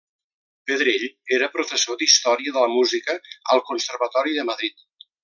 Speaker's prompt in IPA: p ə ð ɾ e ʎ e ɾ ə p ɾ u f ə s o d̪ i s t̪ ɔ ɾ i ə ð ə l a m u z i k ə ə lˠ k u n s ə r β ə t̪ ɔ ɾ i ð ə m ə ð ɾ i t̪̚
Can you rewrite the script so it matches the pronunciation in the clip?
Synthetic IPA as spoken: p ə ð ɾ e ʎ e ɾ ə p ɾ u f ə s o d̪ i s t̪ ɔ ɾ i ə ð ə l ə m u z i k ə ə lˠ k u n s ə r β ə t̪ ɔ ɾ i ð ə m ə ð ɾ i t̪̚